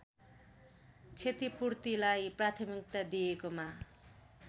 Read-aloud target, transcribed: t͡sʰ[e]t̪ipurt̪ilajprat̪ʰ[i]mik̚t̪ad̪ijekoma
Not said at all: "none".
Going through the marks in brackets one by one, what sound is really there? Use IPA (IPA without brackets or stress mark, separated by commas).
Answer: e, i